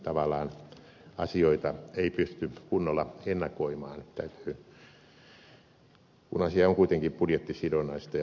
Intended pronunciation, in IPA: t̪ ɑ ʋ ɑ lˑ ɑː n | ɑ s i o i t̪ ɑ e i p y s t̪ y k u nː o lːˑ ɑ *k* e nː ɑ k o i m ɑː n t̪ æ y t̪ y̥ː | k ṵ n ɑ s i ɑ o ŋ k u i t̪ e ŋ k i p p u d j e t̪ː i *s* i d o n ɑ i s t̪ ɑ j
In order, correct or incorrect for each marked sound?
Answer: incorrect: none, correct

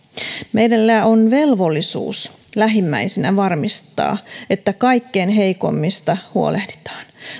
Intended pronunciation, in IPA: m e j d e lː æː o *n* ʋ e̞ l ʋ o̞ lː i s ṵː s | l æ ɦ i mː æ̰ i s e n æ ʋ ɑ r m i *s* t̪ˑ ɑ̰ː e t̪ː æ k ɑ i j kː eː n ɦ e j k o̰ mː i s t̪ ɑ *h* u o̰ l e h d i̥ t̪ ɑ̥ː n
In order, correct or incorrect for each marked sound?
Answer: correct, correct, correct

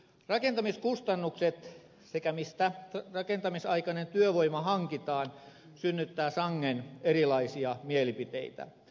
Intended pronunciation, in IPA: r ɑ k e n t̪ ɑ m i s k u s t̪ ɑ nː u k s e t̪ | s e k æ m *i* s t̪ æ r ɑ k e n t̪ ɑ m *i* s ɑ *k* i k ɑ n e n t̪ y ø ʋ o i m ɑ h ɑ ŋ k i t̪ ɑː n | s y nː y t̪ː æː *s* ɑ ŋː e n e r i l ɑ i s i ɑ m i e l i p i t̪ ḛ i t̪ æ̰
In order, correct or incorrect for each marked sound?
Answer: correct, correct, incorrect: none, correct

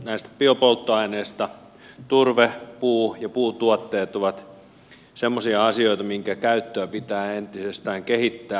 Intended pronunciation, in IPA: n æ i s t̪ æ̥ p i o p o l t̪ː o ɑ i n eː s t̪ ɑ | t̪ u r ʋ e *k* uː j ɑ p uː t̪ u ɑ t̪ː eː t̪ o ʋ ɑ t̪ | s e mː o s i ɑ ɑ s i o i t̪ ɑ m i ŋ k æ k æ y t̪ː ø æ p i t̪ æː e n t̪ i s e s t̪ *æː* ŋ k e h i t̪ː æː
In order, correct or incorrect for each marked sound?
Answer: incorrect: p, correct

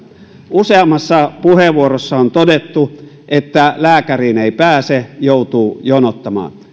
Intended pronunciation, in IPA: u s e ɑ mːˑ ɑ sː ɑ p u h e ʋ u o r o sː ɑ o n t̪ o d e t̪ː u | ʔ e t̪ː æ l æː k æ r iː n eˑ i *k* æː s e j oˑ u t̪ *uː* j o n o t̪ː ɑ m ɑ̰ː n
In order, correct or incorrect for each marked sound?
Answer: incorrect: p, correct

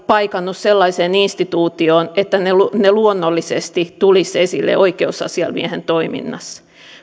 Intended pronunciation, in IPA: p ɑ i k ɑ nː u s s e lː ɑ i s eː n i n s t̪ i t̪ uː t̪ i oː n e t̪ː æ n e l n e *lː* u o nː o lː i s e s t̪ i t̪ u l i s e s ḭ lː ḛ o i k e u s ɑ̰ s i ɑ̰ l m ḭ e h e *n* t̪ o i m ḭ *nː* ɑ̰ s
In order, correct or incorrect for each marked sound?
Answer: incorrect: l, correct, correct

